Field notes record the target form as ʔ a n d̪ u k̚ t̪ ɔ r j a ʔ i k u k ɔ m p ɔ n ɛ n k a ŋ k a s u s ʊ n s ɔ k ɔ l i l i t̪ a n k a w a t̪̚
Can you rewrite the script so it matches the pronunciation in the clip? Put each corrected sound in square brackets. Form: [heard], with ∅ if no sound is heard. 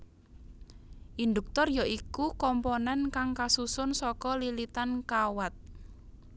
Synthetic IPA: ʔ [i] n d̪ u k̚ t̪ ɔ r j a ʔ i k u k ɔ m p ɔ n ɛ n k a ŋ k a s u s ʊ n s ɔ k ɔ l i l i t̪ a n k a w a t̪̚